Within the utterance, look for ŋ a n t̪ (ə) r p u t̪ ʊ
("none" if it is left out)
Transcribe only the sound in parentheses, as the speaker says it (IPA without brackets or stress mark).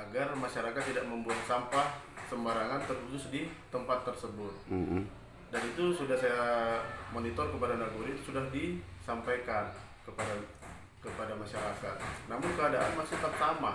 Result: ə